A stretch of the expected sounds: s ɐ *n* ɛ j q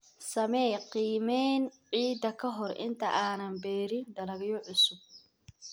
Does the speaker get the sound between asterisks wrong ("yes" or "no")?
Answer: yes